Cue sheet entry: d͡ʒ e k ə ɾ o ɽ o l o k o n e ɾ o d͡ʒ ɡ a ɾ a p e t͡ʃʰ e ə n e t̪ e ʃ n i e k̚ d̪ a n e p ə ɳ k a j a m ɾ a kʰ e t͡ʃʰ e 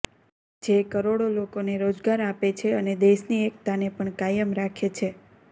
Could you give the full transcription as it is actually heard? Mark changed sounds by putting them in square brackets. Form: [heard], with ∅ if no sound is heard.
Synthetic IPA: d͡ʒ e k ə ɾ o ɽ o l o k o n e ɾ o d͡ʒ ɡ a ɾ a p e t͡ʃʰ e ə n e [d̪] e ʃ n i e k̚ [t̪] a n e p ə ɳ k a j [ə] m ɾ a kʰ e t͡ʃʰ e